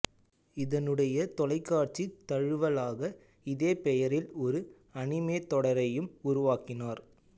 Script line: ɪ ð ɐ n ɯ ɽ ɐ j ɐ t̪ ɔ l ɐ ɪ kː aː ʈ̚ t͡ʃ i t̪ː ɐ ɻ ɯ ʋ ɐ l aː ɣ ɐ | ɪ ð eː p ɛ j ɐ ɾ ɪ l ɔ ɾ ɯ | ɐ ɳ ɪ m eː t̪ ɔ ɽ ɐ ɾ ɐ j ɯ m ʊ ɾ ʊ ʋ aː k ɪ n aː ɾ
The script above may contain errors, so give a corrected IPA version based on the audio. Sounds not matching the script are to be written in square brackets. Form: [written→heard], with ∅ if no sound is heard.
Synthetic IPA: ɪ ð ɐ n ɯ ɽ ɐ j ɐ t̪ ɔ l ɐ ɪ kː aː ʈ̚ t͡ʃ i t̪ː ɐ ɻ ɯ ʋ ɐ l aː ɣ ɐ | ɪ ð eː p ɛ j ɐ ɾ ɪ l ɔ ɾ ɯ | ɐ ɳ ɪ m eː t̪ ɔ ɽ ɐ ɾ ɐ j ɯ m ʊ ɾ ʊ ʋ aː k ɪ n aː ɾ

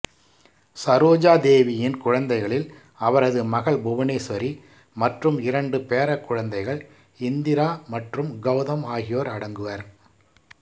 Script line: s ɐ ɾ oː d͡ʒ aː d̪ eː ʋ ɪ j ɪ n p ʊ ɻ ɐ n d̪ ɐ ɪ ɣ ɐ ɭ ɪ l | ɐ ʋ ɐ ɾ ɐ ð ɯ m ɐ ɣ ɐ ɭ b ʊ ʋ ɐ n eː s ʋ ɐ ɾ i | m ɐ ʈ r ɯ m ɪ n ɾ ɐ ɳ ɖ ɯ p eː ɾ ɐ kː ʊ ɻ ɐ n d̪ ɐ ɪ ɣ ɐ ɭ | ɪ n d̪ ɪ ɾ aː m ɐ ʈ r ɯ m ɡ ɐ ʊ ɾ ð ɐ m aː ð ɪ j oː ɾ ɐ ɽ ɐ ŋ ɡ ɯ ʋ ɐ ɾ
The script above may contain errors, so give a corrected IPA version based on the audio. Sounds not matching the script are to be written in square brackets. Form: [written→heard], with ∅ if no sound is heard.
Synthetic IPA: s ɐ ɾ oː d͡ʒ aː d̪ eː ʋ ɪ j ɪ n [p→k] ʊ ɻ ɐ n d̪ ɐ ɪ ɣ ɐ ɭ ɪ l | ɐ ʋ ɐ ɾ ɐ ð ɯ m ɐ ɣ ɐ ɭ b ʊ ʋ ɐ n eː s ʋ ɐ ɾ i | m ɐ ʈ r ɯ m ɪ [n→∅] ɾ ɐ ɳ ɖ ɯ p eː ɾ ɐ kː ʊ ɻ ɐ n d̪ ɐ ɪ ɣ ɐ ɭ | ɪ n d̪ ɪ ɾ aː m ɐ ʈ r ɯ m ɡ ɐ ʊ [ɾ→∅] ð ɐ m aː [ð→ɣ] ɪ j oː ɾ ɐ ɽ ɐ ŋ ɡ ɯ ʋ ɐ ɾ

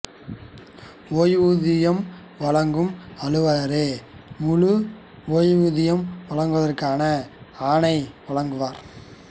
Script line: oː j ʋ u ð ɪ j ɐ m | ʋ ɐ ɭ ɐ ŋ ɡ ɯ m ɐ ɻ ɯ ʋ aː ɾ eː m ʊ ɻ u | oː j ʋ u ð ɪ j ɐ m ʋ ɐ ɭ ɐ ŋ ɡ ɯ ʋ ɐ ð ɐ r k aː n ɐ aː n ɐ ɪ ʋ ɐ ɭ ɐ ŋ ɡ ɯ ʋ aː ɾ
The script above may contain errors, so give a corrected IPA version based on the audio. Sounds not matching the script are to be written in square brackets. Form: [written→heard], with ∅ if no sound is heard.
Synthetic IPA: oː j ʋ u ð ɪ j ɐ m | ʋ ɐ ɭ ɐ ŋ ɡ ɯ m ɐ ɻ ɯ ʋ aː ɾ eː m ʊ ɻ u | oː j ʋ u ð ɪ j ɐ m ʋ ɐ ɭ ɐ ŋ ɡ ɯ ʋ ɐ ð ɐ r k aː n ɐ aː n ɐ ɪ ʋ ɐ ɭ ɐ ŋ ɡ ɯ ʋ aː ɾ

